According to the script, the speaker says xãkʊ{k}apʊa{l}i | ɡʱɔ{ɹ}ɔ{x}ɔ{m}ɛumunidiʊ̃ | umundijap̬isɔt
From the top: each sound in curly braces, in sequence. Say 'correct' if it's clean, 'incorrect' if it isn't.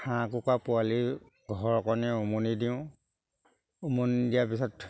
correct, correct, correct, incorrect: k, incorrect: n

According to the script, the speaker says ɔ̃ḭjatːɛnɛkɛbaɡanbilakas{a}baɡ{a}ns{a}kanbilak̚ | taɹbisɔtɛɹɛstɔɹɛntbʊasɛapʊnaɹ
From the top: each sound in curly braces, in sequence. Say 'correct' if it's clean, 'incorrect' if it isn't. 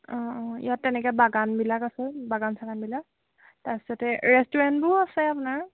incorrect: ɛ, correct, correct

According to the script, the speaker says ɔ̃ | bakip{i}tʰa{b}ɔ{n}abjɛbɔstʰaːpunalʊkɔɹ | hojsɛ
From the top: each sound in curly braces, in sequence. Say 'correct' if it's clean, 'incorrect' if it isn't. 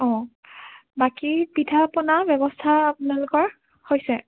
correct, incorrect: p, correct

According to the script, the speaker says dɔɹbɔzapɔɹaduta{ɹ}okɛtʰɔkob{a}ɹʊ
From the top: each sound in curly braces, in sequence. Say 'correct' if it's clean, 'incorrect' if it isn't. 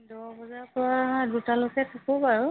incorrect: l, correct

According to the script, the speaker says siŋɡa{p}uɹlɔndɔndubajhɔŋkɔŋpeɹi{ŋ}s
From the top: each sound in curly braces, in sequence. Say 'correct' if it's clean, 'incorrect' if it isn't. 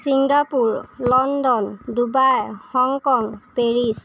correct, incorrect: none

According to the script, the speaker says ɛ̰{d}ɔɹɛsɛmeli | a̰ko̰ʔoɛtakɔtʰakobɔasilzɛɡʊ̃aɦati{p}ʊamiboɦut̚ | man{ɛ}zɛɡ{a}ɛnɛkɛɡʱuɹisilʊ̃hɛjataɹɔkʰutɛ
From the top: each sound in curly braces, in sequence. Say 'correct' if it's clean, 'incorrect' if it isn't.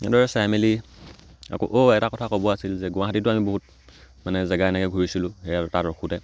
correct, incorrect: t, correct, correct

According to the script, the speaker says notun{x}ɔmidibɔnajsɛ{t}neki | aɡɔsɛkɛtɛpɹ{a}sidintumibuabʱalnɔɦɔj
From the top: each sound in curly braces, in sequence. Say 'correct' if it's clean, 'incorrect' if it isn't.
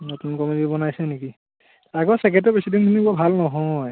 incorrect: k, incorrect: none, incorrect: i

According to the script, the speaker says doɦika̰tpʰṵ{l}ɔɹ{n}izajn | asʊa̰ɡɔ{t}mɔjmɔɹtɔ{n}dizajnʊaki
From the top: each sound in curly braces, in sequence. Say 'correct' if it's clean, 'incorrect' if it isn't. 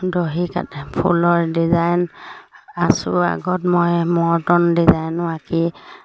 correct, incorrect: d, correct, correct

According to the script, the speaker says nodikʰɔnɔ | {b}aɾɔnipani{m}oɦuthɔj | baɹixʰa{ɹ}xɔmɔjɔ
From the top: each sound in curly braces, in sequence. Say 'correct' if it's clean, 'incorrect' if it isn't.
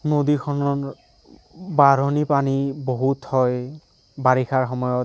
correct, incorrect: b, correct

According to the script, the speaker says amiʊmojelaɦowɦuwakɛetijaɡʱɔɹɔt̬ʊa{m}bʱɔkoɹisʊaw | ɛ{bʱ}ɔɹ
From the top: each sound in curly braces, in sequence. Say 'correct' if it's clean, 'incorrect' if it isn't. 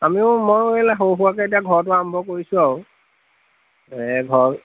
correct, incorrect: ɡʱ

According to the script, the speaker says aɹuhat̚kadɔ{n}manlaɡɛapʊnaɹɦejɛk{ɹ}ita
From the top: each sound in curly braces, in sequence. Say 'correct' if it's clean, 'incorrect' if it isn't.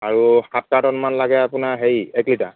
correct, incorrect: l

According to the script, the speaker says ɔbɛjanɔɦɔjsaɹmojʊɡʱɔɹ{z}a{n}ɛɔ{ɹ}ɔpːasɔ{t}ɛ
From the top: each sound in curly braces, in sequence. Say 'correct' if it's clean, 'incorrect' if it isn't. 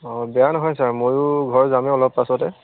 correct, incorrect: m, incorrect: l, correct

